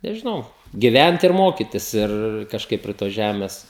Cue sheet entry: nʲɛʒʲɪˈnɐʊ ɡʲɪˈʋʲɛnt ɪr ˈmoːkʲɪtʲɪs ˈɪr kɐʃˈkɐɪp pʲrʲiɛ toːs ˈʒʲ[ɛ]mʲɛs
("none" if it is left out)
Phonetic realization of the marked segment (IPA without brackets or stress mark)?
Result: æ